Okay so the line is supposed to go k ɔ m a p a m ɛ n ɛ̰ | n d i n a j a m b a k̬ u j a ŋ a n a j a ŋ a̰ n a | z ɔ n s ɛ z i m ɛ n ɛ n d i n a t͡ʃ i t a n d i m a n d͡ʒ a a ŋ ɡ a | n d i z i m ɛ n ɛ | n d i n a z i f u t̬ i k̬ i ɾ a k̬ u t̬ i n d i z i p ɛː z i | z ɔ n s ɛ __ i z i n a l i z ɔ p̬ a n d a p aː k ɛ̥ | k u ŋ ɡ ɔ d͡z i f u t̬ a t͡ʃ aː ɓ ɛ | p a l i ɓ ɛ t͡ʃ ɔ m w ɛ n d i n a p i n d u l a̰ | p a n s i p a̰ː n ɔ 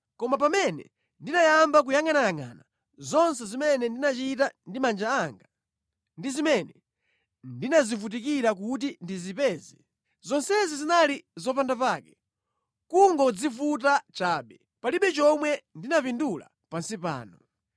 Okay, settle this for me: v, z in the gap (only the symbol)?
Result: z